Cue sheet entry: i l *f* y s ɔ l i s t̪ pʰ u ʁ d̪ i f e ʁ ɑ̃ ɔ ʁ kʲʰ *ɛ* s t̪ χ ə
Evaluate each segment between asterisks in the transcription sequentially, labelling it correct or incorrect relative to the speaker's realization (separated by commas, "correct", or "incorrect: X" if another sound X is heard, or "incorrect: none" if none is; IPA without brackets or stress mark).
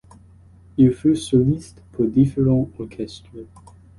correct, correct